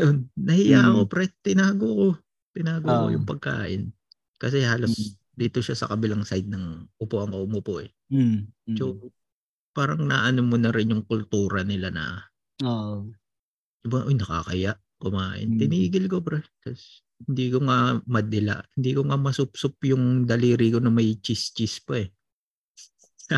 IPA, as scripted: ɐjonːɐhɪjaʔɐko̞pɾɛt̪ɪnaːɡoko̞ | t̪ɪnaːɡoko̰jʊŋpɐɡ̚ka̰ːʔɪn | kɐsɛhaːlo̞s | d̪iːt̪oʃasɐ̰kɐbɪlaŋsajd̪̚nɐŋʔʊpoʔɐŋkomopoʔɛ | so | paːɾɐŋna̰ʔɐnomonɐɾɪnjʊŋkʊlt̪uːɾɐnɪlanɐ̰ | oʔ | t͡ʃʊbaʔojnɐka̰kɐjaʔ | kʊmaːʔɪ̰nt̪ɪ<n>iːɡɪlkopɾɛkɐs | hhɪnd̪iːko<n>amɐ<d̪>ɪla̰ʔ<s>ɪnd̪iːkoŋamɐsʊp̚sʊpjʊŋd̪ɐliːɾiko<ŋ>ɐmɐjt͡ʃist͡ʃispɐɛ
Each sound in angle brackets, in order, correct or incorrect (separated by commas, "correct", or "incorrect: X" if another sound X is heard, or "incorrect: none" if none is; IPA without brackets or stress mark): correct, incorrect: ŋ, correct, incorrect: h, incorrect: n